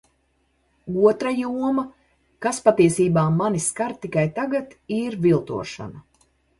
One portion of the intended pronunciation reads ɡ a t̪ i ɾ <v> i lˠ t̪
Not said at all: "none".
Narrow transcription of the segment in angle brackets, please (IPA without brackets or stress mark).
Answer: v